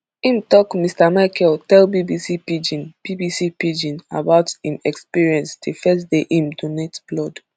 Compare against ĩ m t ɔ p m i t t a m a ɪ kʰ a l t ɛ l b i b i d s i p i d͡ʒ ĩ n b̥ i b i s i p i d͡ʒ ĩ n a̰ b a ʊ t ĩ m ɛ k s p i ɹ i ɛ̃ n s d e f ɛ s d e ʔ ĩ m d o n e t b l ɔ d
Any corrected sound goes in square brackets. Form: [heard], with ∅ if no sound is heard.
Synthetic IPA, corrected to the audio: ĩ m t ɔ [k] m i [s] t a m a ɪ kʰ [ɛ] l t ɛ l b i b i [∅] s i p i d͡ʒ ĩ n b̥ i b i s i p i d͡ʒ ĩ n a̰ b a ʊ t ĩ m ɛ k s p i ɹ i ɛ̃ n s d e f ɛ s d e ʔ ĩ m d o n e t b l ɔ d